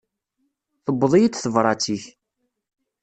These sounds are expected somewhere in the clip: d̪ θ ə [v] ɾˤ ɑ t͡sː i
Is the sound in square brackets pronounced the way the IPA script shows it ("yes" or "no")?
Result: yes